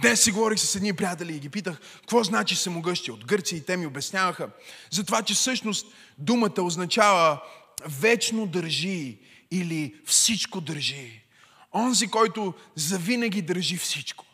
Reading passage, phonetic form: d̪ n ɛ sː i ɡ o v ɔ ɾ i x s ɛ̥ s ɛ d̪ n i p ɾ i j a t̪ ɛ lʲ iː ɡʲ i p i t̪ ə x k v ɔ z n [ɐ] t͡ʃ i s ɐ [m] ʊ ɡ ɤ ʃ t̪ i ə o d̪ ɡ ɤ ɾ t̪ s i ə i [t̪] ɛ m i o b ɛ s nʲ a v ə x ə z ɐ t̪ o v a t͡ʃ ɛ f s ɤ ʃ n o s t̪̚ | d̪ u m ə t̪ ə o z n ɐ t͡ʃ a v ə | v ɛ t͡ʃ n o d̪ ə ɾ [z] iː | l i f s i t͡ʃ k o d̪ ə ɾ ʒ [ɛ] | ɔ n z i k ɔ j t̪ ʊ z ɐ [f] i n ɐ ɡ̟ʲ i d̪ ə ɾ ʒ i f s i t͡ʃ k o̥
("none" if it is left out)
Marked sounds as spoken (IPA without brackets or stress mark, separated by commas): a, m, t̪, ʒ, i, v